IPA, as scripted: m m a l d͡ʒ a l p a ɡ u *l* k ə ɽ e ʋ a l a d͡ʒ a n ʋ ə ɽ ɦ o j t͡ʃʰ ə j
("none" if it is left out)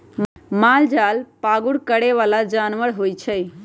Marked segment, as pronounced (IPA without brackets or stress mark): ɽ